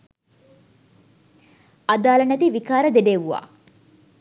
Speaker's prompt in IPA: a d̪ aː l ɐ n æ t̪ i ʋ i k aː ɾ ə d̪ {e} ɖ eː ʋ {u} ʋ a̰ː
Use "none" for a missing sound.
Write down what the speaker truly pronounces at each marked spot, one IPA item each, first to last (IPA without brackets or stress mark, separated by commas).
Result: e, u